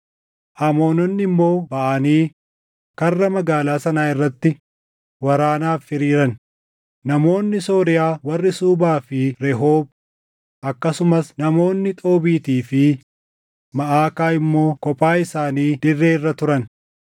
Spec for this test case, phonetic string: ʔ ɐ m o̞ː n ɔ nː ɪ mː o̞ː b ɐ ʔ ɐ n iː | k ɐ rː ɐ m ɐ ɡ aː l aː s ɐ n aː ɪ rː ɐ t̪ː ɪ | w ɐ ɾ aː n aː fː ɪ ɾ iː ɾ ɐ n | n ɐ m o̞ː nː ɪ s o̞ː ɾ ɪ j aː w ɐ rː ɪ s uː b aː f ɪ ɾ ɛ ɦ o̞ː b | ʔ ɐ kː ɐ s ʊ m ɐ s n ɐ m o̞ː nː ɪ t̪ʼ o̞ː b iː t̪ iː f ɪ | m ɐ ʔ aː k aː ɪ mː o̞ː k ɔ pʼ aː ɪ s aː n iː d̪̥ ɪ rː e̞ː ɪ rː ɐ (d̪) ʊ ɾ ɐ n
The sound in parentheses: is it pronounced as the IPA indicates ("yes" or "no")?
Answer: no